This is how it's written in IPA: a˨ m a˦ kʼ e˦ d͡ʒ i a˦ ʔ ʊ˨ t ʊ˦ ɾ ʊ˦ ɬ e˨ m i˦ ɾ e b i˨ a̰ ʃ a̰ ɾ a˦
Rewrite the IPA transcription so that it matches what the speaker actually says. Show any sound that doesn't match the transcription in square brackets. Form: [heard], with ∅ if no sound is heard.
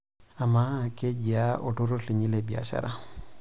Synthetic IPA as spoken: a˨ m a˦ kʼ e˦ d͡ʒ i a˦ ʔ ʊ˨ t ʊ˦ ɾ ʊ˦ ɬ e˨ [ɲ] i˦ [l] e b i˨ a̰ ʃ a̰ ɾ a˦